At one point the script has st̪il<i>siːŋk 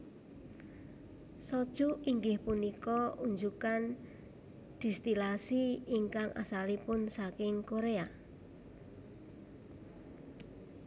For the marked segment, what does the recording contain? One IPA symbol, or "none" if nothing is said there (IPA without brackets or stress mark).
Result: a